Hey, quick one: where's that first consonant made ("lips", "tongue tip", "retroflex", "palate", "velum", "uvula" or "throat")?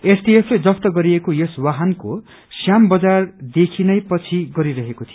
tongue tip